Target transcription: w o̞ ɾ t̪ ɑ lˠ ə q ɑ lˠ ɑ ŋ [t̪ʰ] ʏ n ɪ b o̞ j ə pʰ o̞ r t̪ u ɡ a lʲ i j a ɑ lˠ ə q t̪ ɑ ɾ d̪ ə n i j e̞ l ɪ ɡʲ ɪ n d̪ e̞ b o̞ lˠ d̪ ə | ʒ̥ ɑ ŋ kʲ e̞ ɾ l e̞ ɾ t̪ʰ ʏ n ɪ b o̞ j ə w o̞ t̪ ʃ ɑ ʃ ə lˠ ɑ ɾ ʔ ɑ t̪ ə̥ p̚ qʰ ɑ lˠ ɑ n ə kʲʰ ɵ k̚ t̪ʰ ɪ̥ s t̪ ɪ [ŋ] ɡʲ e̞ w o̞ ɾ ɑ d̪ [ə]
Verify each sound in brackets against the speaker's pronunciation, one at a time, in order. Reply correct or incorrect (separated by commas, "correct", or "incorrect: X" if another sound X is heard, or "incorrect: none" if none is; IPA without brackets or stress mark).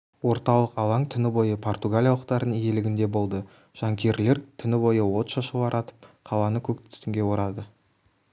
correct, correct, correct